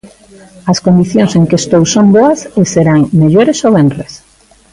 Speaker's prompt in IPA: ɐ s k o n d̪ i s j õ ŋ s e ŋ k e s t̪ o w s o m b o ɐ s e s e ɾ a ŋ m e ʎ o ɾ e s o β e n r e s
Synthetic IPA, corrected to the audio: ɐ s k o n d̪ i θ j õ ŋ s e ŋ k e s t̪ o w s o m b o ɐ s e s e ɾ a ŋ m e ʎ o ɾ e s o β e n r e s